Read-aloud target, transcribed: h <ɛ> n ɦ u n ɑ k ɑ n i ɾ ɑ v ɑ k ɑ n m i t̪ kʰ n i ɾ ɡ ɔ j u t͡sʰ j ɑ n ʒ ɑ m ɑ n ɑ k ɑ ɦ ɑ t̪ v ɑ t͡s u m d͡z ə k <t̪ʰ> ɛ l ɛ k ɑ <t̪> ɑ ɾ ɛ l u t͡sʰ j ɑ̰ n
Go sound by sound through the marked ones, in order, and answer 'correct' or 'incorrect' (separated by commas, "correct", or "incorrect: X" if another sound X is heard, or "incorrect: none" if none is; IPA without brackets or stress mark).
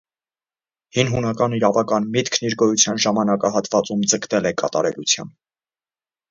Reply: incorrect: i, incorrect: t̪, correct